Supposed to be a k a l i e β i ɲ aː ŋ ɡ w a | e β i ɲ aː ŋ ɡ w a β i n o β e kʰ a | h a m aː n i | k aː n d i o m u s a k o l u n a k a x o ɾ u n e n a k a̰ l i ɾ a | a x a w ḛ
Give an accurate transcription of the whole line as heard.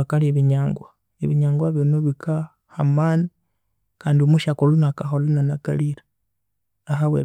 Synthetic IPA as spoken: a k a l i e β i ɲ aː ŋ ɡ w a | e β i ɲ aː ŋ ɡ w a β i n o β i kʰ a | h a m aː n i | k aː n d i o m u ʃ a k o l u n a k a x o l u n a n a k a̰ l i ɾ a | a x a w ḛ